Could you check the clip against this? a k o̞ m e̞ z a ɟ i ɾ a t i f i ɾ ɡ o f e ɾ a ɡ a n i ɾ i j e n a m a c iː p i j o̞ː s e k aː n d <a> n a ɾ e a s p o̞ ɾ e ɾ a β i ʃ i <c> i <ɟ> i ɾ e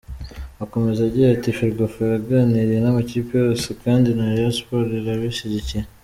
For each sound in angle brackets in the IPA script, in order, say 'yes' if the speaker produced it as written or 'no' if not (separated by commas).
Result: no, no, no